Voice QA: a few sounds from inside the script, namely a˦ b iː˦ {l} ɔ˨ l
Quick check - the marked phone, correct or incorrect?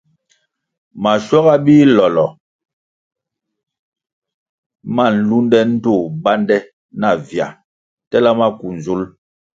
correct